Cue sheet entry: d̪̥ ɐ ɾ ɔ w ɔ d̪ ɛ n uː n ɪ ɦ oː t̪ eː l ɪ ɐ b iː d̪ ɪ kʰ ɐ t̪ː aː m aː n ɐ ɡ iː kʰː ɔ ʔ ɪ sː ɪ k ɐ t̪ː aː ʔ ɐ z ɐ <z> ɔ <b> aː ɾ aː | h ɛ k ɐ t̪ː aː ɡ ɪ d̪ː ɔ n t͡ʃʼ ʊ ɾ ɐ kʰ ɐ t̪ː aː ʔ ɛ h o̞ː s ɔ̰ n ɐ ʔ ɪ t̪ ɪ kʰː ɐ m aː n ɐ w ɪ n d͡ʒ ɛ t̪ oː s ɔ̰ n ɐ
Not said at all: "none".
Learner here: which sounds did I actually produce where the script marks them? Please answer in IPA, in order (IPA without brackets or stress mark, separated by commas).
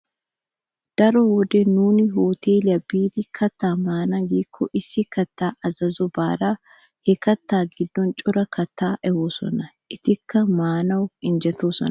z, b